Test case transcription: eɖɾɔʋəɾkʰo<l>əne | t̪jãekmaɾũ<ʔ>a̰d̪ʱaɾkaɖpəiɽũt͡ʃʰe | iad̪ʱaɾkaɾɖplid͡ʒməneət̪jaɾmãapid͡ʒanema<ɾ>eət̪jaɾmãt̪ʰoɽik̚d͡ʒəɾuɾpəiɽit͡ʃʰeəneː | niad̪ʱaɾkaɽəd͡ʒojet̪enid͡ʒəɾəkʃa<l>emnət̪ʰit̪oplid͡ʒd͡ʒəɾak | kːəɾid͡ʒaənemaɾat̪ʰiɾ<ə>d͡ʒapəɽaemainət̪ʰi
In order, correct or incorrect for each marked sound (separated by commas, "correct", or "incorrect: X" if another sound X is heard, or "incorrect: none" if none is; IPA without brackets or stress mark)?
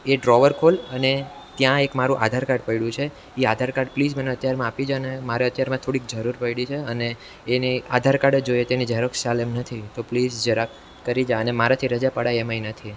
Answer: correct, correct, correct, correct, correct